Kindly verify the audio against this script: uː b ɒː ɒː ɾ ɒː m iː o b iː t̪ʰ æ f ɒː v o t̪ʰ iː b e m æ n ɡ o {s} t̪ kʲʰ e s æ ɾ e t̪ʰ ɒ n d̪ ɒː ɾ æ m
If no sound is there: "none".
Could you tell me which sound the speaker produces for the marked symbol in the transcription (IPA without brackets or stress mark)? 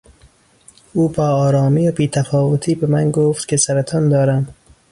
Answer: f